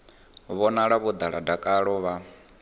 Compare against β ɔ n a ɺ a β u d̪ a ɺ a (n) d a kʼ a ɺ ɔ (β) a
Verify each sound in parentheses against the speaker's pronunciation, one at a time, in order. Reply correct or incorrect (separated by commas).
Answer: incorrect, correct